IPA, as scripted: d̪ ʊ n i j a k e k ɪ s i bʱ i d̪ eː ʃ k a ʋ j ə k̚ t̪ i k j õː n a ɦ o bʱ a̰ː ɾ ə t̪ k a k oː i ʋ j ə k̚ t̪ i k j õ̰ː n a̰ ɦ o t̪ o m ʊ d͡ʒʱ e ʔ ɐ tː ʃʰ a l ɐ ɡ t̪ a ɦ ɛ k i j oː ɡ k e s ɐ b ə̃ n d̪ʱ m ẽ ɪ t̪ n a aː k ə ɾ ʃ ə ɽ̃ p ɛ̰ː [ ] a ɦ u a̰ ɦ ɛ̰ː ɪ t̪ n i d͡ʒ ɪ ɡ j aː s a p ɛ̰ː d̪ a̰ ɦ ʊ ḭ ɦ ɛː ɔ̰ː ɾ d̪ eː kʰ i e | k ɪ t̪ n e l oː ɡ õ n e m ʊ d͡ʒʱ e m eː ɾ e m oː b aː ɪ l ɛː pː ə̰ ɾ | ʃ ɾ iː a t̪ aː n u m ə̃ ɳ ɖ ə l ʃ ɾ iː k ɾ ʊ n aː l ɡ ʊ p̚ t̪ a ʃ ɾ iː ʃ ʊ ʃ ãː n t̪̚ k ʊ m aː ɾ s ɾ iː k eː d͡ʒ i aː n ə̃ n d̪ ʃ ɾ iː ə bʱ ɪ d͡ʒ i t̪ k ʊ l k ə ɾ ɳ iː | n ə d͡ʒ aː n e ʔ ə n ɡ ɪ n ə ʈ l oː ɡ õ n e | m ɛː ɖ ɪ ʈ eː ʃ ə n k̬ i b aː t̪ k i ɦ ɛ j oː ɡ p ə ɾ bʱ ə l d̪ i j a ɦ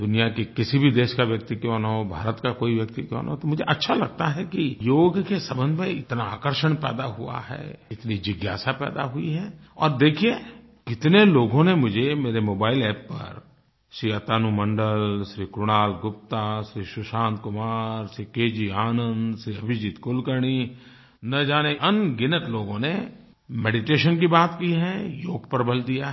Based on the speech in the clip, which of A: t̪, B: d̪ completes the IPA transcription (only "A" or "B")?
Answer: B